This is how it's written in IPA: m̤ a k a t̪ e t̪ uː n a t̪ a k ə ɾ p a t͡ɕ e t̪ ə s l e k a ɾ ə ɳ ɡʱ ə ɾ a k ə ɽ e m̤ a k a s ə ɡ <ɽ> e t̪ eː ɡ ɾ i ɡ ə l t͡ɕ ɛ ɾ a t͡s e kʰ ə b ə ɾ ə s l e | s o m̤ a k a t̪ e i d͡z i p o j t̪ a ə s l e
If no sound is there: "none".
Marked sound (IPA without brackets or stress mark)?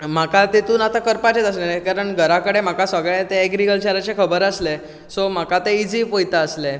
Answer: ɭ